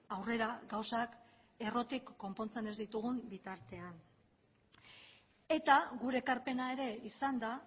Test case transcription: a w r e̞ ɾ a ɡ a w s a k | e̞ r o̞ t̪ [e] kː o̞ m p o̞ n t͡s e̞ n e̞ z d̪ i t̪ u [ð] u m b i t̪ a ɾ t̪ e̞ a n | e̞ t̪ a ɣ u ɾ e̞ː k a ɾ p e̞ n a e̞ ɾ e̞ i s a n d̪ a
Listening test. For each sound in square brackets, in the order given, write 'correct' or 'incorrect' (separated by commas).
incorrect, incorrect